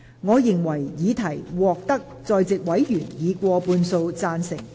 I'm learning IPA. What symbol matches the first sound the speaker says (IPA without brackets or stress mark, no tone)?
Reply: ŋ